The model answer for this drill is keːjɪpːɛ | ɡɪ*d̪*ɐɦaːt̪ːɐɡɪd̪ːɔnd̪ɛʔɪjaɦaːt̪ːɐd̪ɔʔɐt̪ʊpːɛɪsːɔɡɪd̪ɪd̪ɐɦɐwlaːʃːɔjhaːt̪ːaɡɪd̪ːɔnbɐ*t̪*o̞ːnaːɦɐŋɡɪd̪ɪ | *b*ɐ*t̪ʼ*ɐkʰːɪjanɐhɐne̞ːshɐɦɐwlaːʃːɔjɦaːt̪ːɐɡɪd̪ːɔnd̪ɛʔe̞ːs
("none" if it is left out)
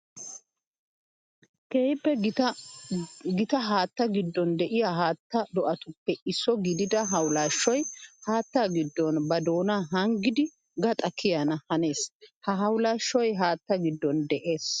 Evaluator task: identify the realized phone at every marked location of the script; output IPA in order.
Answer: t̪, d̪, ɡ, t̪ʼ

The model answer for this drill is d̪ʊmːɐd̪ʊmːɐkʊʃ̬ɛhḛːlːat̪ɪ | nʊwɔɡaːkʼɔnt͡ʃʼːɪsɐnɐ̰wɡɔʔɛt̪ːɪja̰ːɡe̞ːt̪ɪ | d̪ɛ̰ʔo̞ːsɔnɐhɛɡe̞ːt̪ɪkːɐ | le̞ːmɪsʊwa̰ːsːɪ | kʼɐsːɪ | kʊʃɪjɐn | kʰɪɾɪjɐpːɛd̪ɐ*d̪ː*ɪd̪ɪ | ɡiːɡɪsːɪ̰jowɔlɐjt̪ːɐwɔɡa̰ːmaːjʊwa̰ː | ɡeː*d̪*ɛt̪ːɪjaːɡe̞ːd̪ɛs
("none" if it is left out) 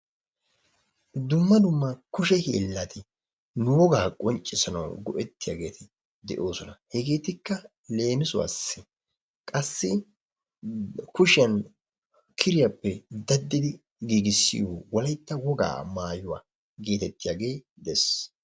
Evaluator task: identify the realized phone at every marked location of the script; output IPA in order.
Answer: d̪ː, t̪

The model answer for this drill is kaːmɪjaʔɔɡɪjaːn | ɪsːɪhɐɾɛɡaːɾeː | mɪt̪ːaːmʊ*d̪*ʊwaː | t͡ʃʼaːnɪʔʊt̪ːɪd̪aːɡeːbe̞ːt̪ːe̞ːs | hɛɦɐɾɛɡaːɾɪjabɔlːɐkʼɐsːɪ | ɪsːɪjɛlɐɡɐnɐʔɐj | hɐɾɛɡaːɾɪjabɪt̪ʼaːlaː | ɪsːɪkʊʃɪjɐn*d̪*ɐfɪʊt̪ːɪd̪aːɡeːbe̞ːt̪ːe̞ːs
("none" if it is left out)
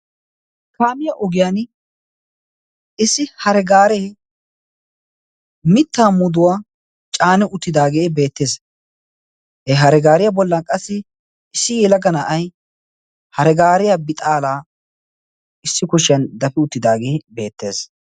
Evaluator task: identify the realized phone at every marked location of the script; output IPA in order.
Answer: d̪, d̪

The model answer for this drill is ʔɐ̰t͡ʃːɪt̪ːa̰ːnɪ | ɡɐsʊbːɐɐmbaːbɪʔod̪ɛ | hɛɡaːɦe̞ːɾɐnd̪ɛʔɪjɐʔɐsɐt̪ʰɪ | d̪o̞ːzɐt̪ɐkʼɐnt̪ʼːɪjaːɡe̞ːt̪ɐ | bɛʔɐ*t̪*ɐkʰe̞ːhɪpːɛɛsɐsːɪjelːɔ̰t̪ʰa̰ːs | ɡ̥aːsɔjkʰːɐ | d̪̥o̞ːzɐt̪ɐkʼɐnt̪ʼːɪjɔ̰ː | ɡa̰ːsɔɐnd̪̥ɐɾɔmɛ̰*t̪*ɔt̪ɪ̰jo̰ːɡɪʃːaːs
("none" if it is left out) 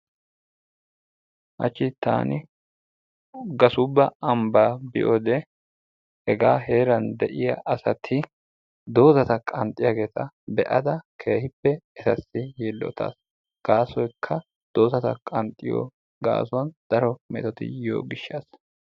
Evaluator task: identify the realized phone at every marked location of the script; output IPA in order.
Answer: d̪, t̪

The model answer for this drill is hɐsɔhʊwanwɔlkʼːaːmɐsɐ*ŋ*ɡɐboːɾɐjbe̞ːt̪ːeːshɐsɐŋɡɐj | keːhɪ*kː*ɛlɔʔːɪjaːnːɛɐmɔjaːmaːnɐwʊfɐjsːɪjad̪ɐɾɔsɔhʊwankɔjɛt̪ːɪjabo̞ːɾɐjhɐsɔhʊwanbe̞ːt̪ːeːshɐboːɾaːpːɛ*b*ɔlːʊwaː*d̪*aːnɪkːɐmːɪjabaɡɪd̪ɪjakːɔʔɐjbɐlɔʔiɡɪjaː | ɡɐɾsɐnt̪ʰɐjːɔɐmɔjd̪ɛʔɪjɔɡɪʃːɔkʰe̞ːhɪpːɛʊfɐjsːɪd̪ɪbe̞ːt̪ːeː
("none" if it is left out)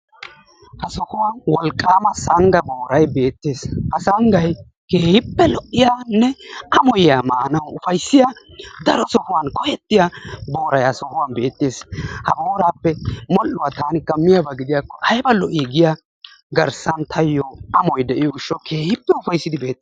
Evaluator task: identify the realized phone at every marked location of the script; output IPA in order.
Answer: ŋ, pː, m, t̪

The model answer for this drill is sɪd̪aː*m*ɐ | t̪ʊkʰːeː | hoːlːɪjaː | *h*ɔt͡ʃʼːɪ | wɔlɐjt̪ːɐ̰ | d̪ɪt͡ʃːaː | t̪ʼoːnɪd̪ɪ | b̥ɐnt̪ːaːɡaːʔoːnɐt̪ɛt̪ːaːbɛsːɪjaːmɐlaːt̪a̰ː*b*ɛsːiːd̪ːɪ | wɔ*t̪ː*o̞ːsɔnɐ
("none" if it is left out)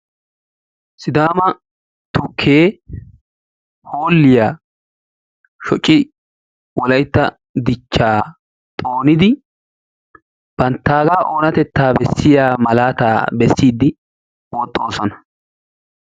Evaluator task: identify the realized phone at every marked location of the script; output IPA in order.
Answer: m, ʃ, b, t̪ʼː

